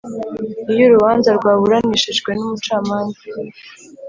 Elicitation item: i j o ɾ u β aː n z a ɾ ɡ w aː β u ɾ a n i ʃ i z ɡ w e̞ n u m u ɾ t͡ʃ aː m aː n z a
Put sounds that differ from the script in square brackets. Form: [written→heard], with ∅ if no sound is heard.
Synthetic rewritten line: i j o ɾ u β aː n z a ɾ ɡ w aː β u ɾ a n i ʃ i [z→ʒ] ɡ w e̞ n u m u [ɾ→∅] t͡ʃ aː m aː n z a